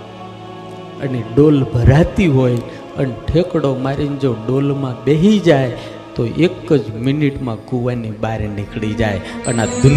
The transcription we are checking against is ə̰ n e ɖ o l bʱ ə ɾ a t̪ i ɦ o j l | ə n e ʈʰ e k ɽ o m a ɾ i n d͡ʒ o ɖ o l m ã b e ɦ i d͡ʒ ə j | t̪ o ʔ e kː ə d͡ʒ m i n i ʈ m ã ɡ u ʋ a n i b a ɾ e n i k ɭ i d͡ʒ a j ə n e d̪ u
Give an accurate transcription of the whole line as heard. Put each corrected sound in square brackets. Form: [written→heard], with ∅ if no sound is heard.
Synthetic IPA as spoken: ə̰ n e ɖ o l bʱ ə ɾ a t̪ i ɦ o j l | ə n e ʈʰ e k ɽ o m a ɾ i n d͡ʒ o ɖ o l m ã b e ɦ i d͡ʒ [ə→a] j | t̪ o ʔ e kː ə d͡ʒ m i n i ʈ m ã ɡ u ʋ a n i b a ɾ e n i k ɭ i d͡ʒ a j ə n [e→a] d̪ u